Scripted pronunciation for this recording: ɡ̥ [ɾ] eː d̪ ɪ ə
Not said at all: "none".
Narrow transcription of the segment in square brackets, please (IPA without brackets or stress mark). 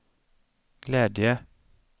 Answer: l